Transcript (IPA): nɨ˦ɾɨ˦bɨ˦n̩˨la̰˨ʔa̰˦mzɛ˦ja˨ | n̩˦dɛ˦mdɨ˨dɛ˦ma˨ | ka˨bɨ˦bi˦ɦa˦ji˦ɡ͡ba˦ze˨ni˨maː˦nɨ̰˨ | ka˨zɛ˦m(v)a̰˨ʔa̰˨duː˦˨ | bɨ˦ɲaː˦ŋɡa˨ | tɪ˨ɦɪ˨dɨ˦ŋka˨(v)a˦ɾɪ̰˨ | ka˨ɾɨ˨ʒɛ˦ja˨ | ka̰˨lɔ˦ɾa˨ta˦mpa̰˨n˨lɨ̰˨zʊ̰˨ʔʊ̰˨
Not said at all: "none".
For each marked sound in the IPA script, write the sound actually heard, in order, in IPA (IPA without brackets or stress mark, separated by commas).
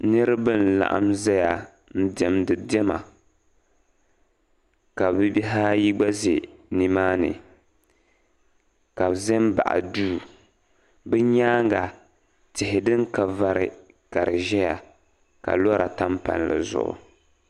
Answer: b, v